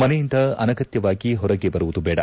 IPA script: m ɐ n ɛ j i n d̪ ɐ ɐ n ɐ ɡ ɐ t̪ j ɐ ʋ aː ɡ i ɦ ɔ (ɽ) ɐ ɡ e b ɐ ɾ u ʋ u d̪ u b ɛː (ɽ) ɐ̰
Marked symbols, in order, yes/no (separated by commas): no, yes